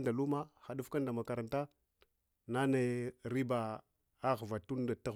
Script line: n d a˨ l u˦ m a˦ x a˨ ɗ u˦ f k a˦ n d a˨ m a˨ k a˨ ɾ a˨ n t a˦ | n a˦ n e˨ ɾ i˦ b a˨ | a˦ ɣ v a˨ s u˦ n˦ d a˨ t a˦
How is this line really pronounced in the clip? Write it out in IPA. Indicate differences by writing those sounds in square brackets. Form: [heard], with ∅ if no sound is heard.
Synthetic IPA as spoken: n d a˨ l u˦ m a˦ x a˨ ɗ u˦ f k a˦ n d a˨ m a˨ k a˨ ɾ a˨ n t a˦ | n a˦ n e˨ ɾ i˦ b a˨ | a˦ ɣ v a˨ [t] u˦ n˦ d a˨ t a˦